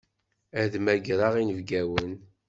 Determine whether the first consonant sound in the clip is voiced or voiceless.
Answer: voiced